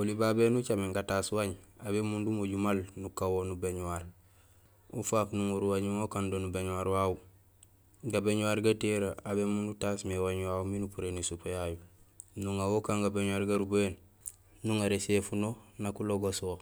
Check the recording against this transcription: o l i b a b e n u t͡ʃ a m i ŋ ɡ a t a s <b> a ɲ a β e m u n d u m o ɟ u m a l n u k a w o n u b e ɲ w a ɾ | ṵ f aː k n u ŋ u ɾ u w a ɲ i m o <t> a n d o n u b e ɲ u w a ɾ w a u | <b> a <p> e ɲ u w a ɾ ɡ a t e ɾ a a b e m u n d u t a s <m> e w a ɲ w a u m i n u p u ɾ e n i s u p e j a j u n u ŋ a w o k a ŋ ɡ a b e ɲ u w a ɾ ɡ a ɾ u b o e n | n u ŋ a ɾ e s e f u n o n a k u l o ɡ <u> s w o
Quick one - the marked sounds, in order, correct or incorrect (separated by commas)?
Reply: incorrect, incorrect, incorrect, incorrect, correct, incorrect